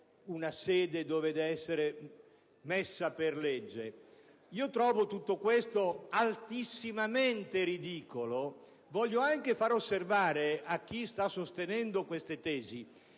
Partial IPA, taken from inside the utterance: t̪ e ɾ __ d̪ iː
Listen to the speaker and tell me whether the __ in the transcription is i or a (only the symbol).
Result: i